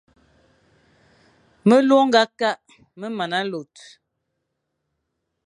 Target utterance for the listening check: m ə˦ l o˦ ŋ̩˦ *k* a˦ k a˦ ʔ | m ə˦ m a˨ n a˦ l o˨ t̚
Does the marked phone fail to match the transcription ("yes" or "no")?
yes